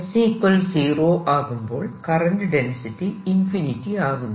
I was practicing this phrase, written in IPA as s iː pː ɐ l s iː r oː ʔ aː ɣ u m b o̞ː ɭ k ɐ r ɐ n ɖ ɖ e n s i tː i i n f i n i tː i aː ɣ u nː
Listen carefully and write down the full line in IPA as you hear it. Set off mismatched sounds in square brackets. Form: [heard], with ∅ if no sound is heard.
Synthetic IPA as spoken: s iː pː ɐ l s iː r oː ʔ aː ɣ u m b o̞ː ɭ k ɐ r ɐ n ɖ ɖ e n s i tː i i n f i n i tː i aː ɣ u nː